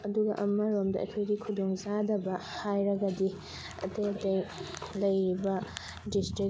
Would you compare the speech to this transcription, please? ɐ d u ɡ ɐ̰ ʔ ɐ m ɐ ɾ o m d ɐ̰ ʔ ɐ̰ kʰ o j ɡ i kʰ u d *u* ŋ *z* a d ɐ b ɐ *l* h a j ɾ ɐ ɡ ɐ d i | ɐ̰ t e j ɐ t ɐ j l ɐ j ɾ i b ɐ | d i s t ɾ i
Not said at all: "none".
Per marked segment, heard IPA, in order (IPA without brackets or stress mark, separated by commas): o, z, none